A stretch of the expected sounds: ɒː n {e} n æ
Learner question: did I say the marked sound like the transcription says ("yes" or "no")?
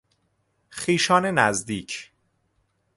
yes